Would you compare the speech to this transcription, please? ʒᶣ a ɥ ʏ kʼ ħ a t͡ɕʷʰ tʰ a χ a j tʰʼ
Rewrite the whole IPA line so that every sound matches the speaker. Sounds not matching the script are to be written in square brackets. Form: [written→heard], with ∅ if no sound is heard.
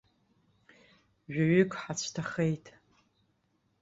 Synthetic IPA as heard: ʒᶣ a ɥ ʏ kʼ ħ a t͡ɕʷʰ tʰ a χ [a→e] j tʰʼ